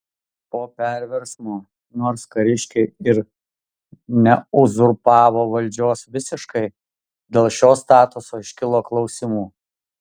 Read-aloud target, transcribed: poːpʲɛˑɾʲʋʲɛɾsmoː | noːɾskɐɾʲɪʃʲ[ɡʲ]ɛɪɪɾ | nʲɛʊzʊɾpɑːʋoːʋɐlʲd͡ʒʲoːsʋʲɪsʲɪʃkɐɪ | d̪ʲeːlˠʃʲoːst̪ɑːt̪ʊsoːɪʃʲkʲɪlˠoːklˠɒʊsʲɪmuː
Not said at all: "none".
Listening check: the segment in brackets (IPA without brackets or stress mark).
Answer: kʲ